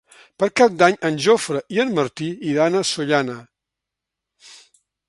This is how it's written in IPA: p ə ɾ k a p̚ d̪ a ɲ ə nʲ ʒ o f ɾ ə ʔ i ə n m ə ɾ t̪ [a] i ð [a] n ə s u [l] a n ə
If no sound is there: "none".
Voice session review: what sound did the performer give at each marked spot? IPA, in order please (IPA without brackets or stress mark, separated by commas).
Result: i, a, ʎ